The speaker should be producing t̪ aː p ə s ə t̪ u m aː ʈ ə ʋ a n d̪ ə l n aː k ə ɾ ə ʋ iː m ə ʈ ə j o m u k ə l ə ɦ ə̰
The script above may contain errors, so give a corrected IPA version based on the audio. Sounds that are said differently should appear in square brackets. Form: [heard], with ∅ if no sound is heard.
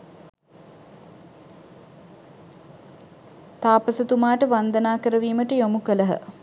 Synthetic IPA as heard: t̪ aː p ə s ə t̪ u m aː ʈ ə ʋ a n d̪ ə [∅] n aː k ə ɾ ə ʋ iː m ə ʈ ə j o m u k ə l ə ɦ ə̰